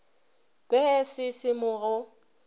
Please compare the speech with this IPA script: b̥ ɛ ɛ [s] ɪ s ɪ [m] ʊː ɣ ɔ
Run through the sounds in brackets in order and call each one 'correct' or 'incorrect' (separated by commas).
correct, correct